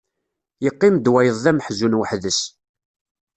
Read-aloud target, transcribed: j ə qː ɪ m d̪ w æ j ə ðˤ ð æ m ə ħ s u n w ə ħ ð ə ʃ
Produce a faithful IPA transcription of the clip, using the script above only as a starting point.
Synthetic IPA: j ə qː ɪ m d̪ w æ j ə ðˤ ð æ m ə ħ z u n w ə ħ ð ə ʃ